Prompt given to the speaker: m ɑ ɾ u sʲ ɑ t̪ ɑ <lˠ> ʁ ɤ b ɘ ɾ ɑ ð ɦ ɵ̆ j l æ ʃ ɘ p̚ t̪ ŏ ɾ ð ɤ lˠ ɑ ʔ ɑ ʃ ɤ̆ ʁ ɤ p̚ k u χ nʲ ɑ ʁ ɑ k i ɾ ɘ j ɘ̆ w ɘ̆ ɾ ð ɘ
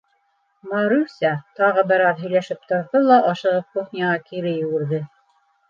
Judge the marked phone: incorrect: none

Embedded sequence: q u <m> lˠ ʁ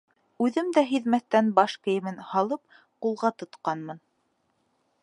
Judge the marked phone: incorrect: none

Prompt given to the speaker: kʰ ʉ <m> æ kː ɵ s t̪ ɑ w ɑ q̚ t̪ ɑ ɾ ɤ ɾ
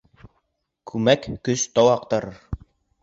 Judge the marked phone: correct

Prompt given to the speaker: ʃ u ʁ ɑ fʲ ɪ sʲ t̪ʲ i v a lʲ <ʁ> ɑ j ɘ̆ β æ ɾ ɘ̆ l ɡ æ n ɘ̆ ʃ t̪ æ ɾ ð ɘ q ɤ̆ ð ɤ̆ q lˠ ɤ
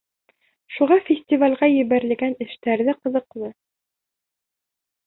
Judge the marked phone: correct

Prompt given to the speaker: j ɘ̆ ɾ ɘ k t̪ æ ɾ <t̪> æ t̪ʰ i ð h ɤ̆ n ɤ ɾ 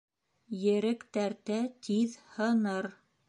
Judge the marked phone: correct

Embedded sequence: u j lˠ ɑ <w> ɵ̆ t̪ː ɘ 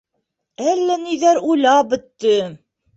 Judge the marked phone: incorrect: b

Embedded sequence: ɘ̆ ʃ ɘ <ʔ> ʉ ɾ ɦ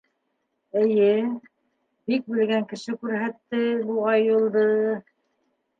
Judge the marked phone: incorrect: k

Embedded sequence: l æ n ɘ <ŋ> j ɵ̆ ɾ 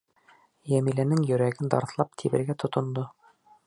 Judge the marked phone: correct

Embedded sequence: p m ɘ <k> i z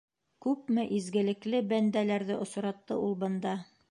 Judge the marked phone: incorrect: ʔ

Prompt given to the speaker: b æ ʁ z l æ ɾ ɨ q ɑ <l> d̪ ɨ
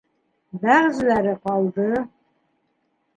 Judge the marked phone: correct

